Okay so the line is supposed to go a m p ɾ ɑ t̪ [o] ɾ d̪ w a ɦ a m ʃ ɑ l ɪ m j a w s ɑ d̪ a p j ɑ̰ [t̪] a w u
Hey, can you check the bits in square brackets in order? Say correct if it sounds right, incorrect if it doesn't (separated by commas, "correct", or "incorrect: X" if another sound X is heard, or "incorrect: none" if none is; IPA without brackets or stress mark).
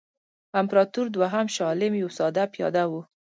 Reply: incorrect: u, incorrect: d̪